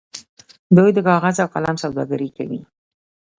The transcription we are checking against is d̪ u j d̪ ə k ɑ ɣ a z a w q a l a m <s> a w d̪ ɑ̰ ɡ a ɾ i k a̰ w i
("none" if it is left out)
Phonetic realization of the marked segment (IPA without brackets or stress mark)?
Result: s